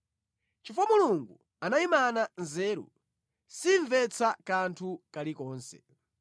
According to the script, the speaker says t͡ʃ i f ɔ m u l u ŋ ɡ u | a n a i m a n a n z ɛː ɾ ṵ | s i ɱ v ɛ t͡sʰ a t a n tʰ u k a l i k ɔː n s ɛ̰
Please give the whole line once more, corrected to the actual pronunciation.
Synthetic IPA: t͡ʃ i f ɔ m u l u ŋ ɡ u | a n a i m a n a n z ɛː ɾ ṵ | s i ɱ v ɛ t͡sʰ a k a n tʰ u k a l i k ɔː n s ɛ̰